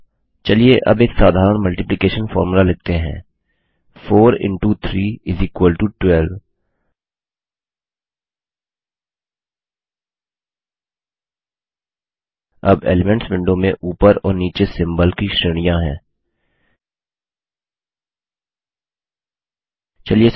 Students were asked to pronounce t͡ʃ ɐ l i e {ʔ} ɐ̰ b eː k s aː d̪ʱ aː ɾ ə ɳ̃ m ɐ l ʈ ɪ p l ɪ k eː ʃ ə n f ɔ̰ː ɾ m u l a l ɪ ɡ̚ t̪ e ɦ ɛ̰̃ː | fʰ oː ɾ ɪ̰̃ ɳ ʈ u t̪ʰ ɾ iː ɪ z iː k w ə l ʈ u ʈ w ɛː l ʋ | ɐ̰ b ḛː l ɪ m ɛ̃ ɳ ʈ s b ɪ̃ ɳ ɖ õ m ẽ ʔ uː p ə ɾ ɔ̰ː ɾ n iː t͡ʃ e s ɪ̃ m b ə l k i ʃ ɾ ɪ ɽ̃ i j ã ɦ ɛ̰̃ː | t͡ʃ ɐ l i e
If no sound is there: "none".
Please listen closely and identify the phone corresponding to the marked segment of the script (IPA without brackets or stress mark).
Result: ʔ